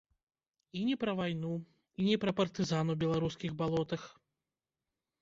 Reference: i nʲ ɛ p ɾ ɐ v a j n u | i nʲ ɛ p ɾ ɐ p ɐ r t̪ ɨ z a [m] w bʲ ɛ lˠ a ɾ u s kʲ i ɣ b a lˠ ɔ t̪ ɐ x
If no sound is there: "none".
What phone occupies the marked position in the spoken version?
n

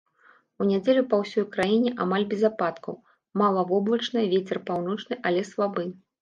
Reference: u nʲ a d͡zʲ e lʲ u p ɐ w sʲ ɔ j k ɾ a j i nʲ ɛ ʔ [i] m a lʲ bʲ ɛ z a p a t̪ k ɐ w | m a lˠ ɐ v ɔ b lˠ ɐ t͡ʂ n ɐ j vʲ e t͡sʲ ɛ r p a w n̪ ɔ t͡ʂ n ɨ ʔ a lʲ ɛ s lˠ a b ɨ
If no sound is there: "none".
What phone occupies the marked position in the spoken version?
a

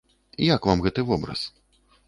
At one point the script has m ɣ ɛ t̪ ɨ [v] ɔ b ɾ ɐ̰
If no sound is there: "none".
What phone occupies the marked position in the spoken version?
v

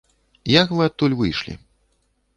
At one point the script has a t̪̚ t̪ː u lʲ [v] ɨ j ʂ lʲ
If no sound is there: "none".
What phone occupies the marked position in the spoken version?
v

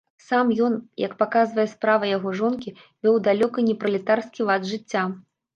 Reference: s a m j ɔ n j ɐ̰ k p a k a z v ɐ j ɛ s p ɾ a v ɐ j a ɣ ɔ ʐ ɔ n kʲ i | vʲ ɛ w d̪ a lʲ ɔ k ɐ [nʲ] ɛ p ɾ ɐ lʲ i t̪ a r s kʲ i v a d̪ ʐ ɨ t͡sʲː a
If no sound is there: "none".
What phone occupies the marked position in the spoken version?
nʲ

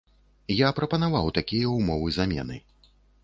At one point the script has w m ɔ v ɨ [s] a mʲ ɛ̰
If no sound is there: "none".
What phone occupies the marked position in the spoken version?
z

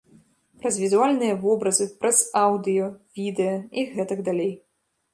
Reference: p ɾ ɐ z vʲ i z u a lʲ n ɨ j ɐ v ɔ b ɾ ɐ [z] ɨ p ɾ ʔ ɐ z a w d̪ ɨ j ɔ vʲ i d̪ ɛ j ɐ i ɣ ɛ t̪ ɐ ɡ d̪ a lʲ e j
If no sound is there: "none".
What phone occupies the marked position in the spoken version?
z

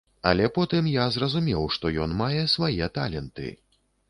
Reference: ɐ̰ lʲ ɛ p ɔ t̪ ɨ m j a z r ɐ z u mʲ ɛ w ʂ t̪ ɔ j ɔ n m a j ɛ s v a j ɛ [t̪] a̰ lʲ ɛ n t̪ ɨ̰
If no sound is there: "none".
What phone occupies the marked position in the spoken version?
t̪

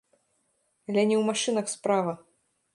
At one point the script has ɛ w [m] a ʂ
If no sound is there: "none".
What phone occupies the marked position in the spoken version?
m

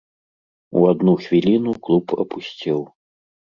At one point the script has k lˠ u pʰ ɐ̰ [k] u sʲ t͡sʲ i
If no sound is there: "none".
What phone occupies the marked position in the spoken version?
p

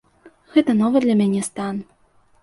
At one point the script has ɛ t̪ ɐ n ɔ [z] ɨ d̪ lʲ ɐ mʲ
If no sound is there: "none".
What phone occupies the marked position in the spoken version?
v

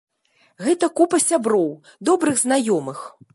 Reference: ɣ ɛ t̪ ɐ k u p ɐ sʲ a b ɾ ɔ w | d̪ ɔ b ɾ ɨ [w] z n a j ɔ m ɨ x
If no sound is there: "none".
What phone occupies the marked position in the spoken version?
ɣ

